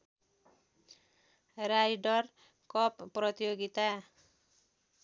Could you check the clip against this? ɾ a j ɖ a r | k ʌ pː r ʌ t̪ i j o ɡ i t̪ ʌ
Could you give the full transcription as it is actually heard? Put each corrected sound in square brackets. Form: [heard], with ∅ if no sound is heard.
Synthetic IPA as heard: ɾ a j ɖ [ʌ] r | k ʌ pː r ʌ t̪ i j o ɡ i t̪ [a]

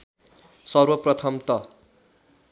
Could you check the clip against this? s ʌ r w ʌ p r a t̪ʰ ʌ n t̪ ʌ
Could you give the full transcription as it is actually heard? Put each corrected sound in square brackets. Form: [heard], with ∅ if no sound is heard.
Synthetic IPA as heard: s ʌ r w ʌ p r [ʌ] t̪ʰ ʌ [m] t̪ ʌ

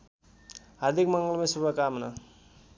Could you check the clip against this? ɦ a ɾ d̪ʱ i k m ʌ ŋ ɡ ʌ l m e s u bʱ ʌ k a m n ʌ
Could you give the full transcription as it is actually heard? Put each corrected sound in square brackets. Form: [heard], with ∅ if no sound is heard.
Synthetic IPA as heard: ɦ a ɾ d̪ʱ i k m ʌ ŋ ɡ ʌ l m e s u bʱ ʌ k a m n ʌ

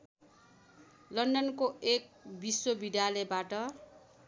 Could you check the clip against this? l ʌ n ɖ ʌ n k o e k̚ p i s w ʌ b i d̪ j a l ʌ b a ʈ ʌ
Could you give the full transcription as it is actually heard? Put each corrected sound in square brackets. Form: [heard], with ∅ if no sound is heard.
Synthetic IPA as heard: l ʌ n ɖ ʌ n k o e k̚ [b] i s w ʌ b i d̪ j a l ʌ b a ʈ ʌ

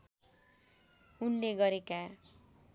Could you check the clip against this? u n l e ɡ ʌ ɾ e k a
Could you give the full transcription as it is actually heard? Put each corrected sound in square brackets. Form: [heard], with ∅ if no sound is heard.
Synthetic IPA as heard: u n l e ɡ ʌ ɾ e k a

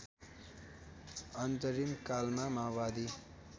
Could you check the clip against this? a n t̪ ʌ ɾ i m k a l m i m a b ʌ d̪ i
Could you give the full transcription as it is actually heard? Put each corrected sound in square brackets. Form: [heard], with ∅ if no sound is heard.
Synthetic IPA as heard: [ʌ] n t̪ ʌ ɾ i m k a l m [a] m a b [a] d̪ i

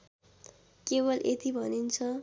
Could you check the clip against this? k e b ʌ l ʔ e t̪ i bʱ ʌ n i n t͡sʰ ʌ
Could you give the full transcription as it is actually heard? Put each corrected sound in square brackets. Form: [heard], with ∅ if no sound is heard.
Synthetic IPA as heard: k e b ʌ l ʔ e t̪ i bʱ ʌ n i n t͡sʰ ʌ

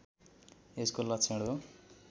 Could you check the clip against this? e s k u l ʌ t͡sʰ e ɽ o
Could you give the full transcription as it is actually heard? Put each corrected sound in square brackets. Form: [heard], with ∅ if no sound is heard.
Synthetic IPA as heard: e s k [o] l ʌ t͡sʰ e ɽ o

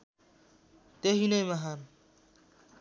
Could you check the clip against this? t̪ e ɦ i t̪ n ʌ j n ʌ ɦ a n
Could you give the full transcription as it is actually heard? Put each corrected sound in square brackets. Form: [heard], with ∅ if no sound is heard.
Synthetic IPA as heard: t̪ e ɦ i [∅] n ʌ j [m] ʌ ɦ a n

